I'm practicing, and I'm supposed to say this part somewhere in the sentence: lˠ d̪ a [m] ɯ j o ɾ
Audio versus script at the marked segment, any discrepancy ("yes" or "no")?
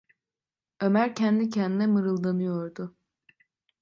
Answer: yes